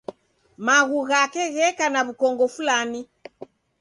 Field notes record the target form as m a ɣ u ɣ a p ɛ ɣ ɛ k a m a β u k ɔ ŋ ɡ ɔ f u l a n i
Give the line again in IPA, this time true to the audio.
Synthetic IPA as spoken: m a ɣ u ɣ a k ɛ ɣ ɛ k a n a β u k ɔ ŋ ɡ ɔ f u l a n i